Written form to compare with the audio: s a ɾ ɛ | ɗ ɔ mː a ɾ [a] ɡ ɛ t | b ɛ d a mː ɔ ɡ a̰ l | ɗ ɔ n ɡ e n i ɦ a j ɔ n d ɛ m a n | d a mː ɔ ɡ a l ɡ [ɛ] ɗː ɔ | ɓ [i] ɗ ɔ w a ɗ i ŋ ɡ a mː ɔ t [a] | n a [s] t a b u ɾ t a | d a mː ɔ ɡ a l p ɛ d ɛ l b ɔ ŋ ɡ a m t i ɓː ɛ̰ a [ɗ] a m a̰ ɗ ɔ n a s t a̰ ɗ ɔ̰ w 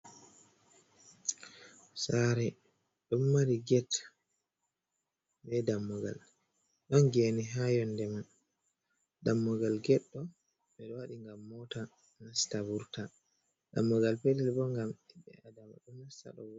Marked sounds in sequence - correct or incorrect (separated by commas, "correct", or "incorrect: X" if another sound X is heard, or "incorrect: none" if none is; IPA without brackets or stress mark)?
incorrect: i, correct, incorrect: ɛ, correct, correct, incorrect: d